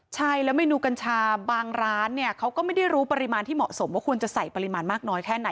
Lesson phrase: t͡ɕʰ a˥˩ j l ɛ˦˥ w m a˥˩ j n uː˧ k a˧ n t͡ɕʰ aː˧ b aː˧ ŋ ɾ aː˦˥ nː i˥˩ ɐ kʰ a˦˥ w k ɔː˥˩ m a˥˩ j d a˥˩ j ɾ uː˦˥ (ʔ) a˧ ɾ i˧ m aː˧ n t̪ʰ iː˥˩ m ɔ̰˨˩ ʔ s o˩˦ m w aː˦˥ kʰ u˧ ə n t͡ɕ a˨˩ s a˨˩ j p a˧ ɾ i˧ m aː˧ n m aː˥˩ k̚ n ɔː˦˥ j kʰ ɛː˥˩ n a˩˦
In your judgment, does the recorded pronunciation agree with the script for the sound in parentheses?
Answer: no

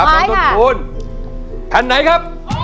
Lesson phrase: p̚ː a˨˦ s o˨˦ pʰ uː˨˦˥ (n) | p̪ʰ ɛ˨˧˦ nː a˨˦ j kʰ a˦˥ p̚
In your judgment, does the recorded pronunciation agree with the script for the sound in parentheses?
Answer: yes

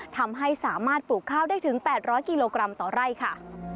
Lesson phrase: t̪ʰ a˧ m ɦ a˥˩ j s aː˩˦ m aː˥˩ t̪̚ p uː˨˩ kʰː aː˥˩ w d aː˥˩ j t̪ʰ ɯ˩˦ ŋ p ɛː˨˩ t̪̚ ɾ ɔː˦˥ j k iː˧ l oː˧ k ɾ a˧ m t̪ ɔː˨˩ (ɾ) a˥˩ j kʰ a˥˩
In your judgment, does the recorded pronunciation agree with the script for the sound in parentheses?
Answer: yes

